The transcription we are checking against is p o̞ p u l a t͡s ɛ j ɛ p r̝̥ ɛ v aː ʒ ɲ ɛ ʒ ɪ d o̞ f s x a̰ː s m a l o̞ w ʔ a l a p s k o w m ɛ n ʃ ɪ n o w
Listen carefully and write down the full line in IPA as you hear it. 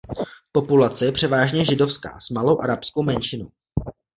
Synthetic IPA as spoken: p o̞ p u l a t͡s ɛ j ɛ p r̝̥ ɛ v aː ʒ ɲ ɛ ʒ ɪ d o̞ f s k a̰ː s m a l o̞ w ʔ a ɾ a p s k o w m ɛ n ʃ ɪ n o w